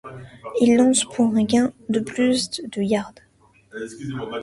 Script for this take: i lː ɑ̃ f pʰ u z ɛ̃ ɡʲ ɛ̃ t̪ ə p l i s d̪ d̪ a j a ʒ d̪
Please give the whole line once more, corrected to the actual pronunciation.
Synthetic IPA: i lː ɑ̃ s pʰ u ʁ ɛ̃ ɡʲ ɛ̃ d̪ ə p l y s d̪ d̪ ə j a ʁ d̪